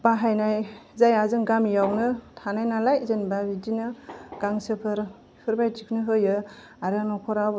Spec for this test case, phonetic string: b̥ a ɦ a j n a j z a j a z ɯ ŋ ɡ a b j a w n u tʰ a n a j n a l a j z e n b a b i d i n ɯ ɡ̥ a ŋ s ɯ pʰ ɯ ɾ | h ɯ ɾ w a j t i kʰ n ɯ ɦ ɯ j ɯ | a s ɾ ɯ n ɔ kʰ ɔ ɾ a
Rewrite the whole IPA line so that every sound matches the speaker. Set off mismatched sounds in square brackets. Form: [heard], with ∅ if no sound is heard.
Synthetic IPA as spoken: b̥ a ɦ a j n a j z a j a z ɯ ŋ ɡ a [m] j a w n [ɯ] tʰ a n a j n a l a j z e n b a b i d i n ɯ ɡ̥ a ŋ s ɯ pʰ ɯ ɾ | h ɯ ɾ [b] a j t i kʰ n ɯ ɦ ɯ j ɯ | a [∅] ɾ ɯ n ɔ kʰ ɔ ɾ a